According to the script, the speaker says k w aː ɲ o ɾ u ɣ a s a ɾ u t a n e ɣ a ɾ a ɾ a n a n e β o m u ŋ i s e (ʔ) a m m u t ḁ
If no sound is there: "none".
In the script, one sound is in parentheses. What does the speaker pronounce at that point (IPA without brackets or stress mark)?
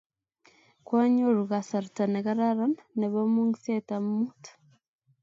t